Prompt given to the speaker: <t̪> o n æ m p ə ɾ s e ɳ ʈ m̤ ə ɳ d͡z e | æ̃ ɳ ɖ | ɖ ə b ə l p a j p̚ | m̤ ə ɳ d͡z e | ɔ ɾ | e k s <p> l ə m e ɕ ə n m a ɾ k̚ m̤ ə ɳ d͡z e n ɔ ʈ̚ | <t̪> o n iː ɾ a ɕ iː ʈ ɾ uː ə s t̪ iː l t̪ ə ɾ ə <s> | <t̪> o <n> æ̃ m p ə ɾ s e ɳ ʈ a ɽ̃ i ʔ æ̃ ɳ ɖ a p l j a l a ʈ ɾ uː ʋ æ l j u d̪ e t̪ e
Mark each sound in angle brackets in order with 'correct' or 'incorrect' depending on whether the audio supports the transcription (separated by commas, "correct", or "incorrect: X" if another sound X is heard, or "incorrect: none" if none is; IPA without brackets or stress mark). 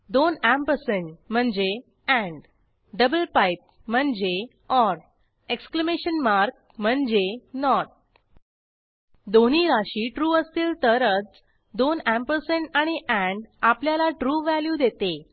incorrect: d̪, incorrect: k, incorrect: d̪, incorrect: t͡s, incorrect: d̪, correct